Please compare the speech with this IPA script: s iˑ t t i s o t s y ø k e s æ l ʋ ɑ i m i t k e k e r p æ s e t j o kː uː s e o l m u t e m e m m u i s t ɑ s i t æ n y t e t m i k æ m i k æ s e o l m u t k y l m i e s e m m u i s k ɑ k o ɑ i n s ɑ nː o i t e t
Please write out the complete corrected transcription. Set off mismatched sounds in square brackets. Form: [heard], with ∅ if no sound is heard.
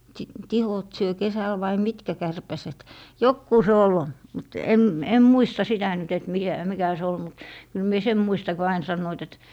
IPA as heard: s iˑ t t i [h] o t s y ø k e s æ l ʋ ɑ i m i t k [æ] k [æ] r p æ s e t j o kː uː s e o l m u t e m e m m u i s t ɑ s i t æ n y t e t m i k æ m i k æ s e o l m u t k y l m i e s e m m u i s [t] ɑ k o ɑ i n s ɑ nː o i t e t